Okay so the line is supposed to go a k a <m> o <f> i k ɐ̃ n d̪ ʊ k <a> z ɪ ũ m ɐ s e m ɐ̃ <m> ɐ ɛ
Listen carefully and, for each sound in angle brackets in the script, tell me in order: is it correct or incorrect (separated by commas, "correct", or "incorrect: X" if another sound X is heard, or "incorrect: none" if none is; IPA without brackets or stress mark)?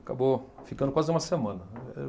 incorrect: b, correct, correct, incorrect: n